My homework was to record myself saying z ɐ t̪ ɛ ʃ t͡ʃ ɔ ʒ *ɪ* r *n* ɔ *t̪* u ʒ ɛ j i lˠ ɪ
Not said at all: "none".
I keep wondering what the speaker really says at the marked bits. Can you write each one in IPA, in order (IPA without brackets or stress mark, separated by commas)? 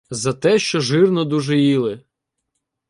ɪ, n, d̪